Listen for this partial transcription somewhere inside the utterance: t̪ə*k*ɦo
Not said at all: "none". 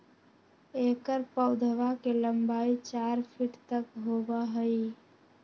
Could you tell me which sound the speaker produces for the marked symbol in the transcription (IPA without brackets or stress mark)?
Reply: k